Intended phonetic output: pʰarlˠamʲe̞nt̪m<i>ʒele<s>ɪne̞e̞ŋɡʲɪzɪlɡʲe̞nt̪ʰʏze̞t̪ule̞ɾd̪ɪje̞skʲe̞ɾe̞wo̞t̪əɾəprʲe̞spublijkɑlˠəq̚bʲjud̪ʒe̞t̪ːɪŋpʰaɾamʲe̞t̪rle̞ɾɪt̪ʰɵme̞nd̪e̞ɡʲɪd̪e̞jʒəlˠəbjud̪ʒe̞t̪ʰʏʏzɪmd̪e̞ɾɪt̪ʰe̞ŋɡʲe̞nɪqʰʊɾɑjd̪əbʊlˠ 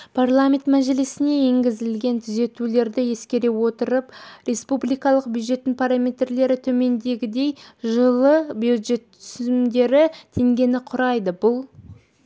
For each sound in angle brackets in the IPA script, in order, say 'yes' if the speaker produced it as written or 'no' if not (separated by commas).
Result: no, yes